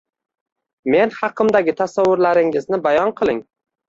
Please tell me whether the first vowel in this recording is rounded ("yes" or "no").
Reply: no